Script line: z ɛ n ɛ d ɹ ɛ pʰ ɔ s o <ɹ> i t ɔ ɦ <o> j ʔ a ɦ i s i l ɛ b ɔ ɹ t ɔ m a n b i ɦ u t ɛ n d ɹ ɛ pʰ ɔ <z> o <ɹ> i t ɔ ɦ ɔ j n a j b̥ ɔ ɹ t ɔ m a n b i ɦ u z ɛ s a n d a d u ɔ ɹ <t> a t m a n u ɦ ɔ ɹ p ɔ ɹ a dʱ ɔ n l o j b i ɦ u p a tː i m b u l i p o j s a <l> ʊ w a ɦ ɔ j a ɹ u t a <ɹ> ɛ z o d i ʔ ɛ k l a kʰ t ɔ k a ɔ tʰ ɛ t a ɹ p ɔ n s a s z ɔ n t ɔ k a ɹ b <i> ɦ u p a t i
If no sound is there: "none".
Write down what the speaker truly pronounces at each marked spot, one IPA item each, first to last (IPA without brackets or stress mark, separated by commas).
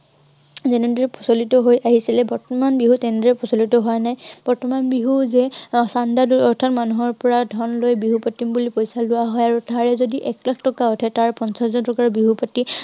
l, o, s, l, tʰ, l, ɹ, i